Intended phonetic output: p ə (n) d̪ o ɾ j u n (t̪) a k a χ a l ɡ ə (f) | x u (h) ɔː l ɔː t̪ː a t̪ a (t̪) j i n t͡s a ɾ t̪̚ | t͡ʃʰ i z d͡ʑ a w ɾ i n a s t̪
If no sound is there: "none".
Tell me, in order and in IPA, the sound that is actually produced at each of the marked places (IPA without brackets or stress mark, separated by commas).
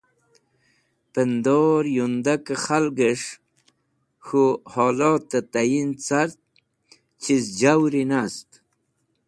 n, d̪, ʂ, h, none